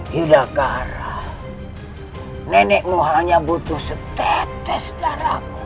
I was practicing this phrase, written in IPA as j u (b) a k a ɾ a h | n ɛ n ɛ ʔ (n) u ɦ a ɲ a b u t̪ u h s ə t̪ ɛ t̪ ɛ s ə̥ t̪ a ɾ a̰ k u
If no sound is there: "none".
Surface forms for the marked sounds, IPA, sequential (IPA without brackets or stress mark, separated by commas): d, m